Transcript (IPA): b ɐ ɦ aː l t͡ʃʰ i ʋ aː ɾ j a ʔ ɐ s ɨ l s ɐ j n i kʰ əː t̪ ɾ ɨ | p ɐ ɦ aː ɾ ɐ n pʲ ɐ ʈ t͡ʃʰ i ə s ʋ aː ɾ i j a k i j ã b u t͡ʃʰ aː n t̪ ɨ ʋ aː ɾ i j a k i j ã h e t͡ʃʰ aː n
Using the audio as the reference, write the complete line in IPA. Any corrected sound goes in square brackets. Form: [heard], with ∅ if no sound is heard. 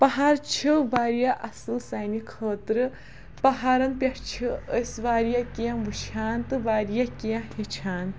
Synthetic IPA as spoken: [p] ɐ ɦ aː [ɾ] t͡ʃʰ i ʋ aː ɾ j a ʔ ɐ s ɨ l s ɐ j n i kʰ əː t̪ ɾ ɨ | p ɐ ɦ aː ɾ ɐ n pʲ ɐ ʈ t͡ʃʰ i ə s ʋ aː ɾ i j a k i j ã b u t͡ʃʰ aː n t̪ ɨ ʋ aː ɾ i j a k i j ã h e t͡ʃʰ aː n